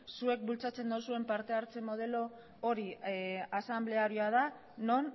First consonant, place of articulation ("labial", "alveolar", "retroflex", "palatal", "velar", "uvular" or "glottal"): alveolar